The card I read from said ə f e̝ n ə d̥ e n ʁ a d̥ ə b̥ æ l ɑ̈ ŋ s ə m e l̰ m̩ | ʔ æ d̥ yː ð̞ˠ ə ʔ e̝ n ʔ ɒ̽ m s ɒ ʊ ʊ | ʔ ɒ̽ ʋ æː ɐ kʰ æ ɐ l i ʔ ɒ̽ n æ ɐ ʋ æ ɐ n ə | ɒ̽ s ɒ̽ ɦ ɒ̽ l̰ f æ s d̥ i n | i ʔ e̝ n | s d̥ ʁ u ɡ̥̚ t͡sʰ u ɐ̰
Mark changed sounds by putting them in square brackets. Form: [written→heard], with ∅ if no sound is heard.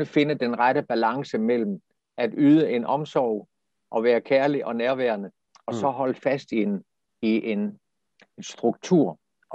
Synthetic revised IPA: ə f e̝ n ə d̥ e n ʁ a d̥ ə b̥ æ l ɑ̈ ŋ s ə m e l̰ m̩ | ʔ æ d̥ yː ð̞ˠ ə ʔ e̝ n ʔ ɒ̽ m s ɒ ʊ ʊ | ʔ ɒ̽ ʋ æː ɐ kʰ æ ɐ l i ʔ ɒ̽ n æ ɐ ʋ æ ɐ n ə | ɒ̽ s ɒ̽ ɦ ɒ̽ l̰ f æ s d̥ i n | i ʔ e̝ n | s d̥ ʁ u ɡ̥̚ t͡sʰ u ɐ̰